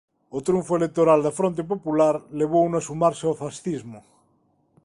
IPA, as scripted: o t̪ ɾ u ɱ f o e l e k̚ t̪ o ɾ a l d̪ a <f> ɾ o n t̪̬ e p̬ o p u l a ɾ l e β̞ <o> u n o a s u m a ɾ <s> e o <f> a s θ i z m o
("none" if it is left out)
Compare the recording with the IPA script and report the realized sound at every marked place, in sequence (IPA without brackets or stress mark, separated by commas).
f, o, s, f